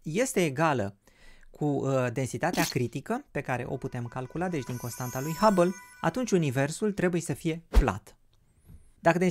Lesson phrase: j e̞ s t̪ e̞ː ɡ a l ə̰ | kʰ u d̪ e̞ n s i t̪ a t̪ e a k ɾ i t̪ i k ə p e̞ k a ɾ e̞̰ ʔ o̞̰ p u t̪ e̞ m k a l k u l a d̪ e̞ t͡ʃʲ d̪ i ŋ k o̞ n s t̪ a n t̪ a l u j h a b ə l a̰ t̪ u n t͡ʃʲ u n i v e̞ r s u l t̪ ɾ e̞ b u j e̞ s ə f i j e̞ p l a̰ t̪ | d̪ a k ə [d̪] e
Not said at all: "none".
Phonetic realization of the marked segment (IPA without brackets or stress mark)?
d̪